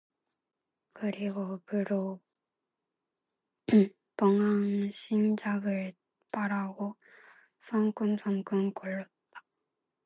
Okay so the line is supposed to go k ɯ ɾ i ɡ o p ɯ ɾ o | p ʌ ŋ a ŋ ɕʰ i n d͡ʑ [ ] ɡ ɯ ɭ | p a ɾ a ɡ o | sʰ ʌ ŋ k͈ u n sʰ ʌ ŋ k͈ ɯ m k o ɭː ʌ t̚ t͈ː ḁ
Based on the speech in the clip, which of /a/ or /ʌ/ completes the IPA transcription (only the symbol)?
a